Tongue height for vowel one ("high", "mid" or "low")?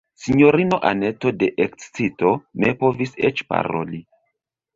high